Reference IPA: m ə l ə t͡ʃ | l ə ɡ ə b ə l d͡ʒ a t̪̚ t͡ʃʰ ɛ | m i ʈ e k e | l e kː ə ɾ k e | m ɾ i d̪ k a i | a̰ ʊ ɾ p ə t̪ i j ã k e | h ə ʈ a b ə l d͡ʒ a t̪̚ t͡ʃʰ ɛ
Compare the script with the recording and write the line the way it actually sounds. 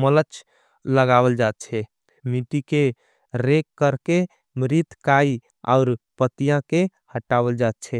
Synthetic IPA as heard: m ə l ə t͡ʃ | l ə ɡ a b ə l d͡ʒ a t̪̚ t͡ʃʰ ɛ | m i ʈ i k e | ɾ e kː ə ɾ k e | m ɾ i t̪ k a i | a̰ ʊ ɾ p ə t̪ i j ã k e | h ə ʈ a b ə l d͡ʒ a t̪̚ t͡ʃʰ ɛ